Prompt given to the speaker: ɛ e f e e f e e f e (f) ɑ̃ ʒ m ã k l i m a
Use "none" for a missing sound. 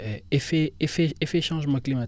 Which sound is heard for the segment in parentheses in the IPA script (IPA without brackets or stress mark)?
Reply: ʃ